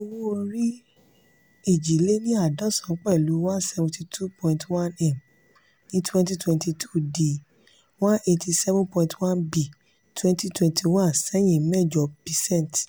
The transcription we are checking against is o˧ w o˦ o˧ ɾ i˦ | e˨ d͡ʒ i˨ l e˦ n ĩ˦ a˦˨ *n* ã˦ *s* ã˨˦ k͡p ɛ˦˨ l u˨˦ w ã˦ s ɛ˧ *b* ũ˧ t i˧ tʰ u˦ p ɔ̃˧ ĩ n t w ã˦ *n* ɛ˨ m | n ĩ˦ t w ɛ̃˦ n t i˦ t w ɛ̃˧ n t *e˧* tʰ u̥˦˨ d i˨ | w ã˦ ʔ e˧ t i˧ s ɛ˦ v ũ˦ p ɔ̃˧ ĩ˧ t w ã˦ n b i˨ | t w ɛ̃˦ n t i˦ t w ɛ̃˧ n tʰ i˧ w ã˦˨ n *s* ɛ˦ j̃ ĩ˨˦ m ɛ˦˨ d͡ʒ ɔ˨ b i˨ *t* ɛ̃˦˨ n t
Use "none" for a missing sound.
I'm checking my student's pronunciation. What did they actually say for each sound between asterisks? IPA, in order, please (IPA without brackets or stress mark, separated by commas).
d, s, v, n, i˧, s, s